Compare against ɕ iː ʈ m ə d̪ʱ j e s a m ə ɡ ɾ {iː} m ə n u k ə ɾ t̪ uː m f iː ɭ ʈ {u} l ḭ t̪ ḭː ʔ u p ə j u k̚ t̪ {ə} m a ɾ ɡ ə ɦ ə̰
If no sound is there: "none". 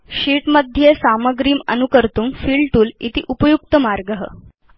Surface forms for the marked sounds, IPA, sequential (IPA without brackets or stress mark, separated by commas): iː, uː, ə